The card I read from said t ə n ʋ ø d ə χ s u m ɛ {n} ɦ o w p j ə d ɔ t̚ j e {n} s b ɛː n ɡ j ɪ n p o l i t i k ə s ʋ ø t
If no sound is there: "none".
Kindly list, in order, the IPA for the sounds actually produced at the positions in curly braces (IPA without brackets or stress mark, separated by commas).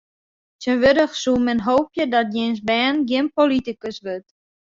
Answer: n, n